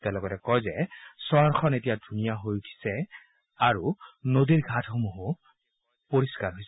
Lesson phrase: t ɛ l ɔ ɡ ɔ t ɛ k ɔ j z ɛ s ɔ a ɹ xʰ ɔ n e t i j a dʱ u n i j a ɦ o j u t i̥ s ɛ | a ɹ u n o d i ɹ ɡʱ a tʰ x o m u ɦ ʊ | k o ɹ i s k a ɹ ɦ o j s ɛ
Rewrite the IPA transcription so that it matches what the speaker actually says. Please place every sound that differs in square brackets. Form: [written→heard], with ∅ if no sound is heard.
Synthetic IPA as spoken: t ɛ l ɔ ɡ ɔ t ɛ k ɔ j z ɛ s ɔ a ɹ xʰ ɔ n e t i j a dʱ u n i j a ɦ o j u [t→tʰ] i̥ s ɛ | a ɹ u n o d i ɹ ɡʱ a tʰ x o m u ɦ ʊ | [k→p] o ɹ i s k a ɹ ɦ o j s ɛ

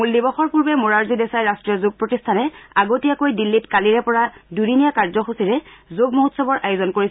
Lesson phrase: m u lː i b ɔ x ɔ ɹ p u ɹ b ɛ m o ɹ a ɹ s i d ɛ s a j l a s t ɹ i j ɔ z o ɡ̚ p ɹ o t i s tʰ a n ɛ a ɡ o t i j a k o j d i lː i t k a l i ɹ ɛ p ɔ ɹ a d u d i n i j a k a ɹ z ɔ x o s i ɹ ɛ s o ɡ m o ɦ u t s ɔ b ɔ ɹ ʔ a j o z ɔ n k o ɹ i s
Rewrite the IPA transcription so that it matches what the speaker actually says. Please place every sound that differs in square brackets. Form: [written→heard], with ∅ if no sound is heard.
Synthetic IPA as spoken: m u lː i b ɔ x ɔ ɹ p u ɹ b ɛ m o ɹ a ɹ [s→z] i d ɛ s a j [l→ɹ] a s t ɹ i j ɔ z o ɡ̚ p ɹ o t i s tʰ a n ɛ a ɡ o t i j a k o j d i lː i t k a l i ɹ ɛ p ɔ ɹ a d u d i n i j a k a ɹ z ɔ x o s i ɹ ɛ [s→z] o ɡ m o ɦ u t s ɔ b ɔ ɹ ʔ a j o z ɔ n k o ɹ i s

